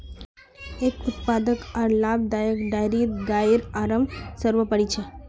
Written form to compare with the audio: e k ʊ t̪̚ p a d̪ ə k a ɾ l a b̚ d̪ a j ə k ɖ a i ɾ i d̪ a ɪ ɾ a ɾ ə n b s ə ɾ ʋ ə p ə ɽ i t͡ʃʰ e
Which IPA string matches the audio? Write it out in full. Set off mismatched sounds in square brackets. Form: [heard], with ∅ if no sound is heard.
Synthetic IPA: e k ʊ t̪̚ p a d̪ ə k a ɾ l a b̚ d̪ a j ə k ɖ a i ɾ i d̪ a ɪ ɾ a ɾ ə [m] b s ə ɾ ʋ ə p ə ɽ i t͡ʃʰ e

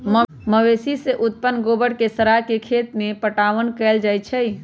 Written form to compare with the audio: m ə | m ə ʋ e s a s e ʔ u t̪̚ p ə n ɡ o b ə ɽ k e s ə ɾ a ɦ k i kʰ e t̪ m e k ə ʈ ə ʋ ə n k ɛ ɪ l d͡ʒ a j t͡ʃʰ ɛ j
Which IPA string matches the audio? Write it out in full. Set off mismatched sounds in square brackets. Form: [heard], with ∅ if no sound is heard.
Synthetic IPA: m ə | m ə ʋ e s [i] s e ʔ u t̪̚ p ə n ɡ o b ə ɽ k e s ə ɾ a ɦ k [e] kʰ e t̪ m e [p] ə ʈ [a] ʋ ə n k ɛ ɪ l d͡ʒ a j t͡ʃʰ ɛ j

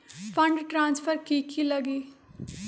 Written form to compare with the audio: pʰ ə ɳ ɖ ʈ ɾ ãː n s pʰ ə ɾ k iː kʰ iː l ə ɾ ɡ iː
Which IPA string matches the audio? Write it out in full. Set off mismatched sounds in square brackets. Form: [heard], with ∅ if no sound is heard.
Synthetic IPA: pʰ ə ɳ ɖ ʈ ɾ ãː n s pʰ ə ɾ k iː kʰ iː l ə [∅] ɡ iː

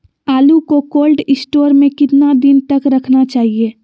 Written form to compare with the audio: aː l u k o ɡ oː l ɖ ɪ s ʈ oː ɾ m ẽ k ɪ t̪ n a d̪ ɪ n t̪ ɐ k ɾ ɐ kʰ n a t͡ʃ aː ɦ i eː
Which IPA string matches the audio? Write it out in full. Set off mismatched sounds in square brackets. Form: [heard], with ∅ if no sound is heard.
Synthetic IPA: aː l u k o [k] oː l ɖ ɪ s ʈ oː ɾ m ẽ k ɪ t̪ n a d̪ ɪ n t̪ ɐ k ɾ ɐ kʰ n a t͡ʃ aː ɦ i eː

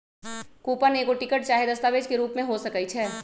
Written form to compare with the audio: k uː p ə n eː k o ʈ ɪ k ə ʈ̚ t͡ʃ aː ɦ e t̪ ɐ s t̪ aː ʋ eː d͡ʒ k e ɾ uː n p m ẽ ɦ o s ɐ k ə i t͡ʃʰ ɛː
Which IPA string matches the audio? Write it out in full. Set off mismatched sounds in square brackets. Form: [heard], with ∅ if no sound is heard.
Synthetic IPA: k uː p ə n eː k o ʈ ɪ k ə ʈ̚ t͡ʃ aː ɦ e [d̪] ɐ s t̪ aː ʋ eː d͡ʒ k e ɾ uː [∅] p m ẽ ɦ o s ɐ k ə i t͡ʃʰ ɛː

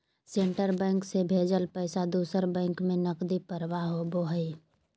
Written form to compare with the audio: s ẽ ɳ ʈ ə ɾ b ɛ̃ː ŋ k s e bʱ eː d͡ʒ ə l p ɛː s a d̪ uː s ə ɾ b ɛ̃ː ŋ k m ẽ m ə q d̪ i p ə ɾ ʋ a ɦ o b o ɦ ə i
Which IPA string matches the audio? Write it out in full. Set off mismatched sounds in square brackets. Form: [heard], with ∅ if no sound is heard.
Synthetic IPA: s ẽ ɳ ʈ ə ɾ b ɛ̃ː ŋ k s e bʱ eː d͡ʒ ə l p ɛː s a d̪ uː s ə ɾ b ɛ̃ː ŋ k m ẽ [n] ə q d̪ i p ə ɾ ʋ a ɦ o b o ɦ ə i

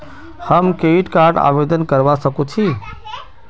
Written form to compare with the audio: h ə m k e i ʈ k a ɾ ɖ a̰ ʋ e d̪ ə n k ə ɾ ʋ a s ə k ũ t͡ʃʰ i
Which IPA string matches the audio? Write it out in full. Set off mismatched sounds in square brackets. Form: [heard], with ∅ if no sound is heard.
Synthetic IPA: h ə m k e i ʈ k a ɾ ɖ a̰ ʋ e d̪ ə n k ə ɾ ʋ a s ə k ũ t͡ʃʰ i

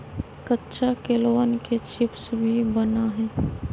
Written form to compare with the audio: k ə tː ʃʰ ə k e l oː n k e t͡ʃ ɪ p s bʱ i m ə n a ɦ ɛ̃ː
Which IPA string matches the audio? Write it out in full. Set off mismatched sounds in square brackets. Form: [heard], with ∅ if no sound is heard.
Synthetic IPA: k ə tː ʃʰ [a] k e l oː n k e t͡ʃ ɪ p s bʱ i [b] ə n a ɦ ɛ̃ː

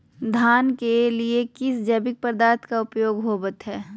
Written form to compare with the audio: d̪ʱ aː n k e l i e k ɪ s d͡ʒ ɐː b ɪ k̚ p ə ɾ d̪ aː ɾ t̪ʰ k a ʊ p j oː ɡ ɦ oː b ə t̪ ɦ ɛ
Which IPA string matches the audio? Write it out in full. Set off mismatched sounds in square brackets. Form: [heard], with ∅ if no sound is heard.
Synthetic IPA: d̪ʱ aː n k e l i e k ɪ s d͡ʒ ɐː b ɪ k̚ p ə ɾ d̪ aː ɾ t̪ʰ k a ʊ p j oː ɡ ɦ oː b ə t̪ ɦ [ɛː]

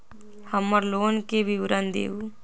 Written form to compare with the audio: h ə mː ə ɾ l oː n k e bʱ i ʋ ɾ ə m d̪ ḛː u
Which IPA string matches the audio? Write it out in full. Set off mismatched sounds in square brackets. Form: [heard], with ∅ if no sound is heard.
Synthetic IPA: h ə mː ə ɾ l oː n k e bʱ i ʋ ɾ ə [n] d̪ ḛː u

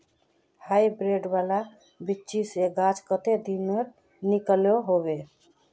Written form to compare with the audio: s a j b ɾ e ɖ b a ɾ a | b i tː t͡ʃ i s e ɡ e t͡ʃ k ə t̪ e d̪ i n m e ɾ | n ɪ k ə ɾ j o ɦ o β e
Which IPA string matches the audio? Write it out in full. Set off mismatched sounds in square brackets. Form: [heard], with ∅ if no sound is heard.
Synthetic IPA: [h] a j b ɾ e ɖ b a [l] a | b i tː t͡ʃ i s e ɡ [a] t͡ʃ k ə t̪ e d̪ i n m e ɾ | n [i] k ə [l] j o ɦ o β e

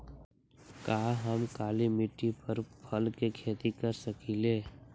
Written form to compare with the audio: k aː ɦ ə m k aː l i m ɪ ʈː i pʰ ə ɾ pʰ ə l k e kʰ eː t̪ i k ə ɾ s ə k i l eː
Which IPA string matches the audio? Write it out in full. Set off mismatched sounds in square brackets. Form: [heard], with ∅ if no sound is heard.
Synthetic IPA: k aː ɦ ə m k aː l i m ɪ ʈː i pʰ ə ɾ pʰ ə l k e kʰ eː t̪ i k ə ɾ s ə k i l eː

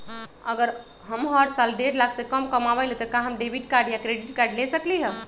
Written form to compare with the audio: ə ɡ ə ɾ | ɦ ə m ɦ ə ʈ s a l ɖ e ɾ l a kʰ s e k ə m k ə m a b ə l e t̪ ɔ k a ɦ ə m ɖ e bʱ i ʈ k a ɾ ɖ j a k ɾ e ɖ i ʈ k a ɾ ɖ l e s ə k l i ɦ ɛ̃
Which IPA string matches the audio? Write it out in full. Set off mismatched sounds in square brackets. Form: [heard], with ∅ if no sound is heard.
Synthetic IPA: ə ɡ ə ɾ | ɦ ə m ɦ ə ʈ s a l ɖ e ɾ l a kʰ s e k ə m k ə m a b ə l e t̪ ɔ k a ɦ ə m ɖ e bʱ i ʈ k a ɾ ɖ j a k ɾ e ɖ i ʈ k a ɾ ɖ l e s ə k l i ɦ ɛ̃

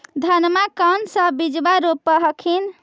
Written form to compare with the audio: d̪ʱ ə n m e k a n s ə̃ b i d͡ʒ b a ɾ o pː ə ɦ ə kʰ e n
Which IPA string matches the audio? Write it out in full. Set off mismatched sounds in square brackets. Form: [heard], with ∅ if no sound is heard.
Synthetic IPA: d̪ʱ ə n m [a] k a n s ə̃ b i d͡ʒ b a ɾ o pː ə ɦ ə kʰ [i] n

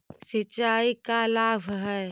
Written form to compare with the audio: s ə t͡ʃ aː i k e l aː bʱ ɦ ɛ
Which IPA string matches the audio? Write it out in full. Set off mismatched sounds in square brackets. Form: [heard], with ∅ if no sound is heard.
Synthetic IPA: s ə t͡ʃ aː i k [a] l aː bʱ ɦ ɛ

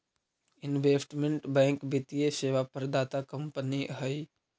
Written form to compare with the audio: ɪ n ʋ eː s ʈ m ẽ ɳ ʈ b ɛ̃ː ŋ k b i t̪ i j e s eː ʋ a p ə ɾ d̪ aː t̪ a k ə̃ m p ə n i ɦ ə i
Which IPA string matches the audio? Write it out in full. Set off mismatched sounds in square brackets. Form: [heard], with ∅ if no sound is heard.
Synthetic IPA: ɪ n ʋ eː s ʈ m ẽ ɳ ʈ b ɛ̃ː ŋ k b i t̪ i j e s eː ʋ a p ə ɾ d̪ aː t̪ a k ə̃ m p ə n i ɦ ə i

